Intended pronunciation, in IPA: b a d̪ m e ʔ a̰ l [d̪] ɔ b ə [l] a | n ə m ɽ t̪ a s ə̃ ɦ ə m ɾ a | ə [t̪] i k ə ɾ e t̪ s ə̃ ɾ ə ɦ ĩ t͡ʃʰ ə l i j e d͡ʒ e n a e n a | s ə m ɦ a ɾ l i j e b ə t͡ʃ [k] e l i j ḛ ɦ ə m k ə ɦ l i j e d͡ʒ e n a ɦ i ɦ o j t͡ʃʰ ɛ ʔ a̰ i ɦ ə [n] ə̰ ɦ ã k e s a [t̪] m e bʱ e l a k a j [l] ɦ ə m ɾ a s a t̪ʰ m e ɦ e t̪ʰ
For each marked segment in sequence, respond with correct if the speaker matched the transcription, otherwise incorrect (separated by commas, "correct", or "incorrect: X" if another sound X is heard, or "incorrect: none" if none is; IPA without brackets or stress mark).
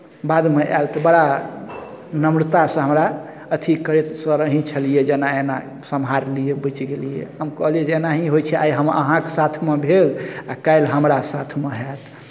incorrect: t̪, incorrect: ɽ, incorrect: t̪ʰ, incorrect: ɡ, incorrect: m, incorrect: t̪ʰ, correct